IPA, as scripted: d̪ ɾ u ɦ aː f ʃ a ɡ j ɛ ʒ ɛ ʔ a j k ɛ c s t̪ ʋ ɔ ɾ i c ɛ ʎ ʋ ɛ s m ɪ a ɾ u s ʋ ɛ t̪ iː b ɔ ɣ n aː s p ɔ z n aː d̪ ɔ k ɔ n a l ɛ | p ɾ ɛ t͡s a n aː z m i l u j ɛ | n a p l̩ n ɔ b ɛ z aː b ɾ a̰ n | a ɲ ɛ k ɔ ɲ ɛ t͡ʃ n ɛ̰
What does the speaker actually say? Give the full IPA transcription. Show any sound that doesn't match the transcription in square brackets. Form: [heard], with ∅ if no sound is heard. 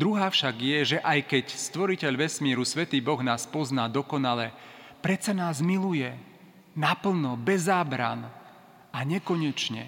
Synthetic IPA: d̪ ɾ u ɦ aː f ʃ a ɡ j ɛ ʒ ɛ ʔ a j k ɛ c s t̪ ʋ ɔ ɾ i c ɛ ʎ ʋ ɛ s m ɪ [ɛ] ɾ u s ʋ ɛ t̪ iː b ɔ ɣ n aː s p ɔ z n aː d̪ ɔ k ɔ n a l ɛ | p ɾ ɛ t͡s a n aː z m i l u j ɛ | n a p l̩ n ɔ b ɛ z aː b ɾ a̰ n | a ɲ ɛ k ɔ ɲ ɛ t͡ʃ [ɲ] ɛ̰